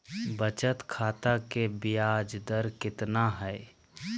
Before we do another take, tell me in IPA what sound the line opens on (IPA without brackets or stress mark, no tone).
b